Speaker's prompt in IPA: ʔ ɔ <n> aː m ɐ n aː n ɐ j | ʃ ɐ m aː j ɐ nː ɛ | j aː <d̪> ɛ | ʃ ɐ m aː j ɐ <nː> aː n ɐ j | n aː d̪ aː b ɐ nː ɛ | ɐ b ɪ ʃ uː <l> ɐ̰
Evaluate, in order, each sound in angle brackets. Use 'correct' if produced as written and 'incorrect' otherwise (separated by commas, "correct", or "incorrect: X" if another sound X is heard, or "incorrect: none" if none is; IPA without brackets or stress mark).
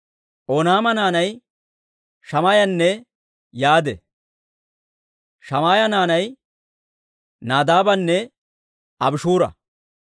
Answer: correct, correct, incorrect: n, incorrect: ɾ